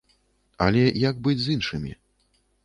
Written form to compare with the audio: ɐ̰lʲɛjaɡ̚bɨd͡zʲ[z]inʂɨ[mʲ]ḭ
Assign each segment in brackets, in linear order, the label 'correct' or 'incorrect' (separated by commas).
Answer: correct, correct